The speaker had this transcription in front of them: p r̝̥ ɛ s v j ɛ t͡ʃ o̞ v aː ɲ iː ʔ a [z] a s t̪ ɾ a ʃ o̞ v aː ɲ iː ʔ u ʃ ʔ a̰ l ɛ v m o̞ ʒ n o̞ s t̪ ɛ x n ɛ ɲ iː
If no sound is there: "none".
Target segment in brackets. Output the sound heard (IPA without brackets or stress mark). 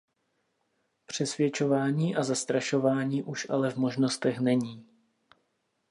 z